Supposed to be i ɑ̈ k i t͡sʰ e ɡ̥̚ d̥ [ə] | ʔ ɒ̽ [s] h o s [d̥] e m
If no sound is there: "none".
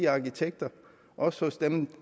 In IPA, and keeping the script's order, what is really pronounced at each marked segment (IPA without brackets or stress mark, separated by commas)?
ɐ, s, d̥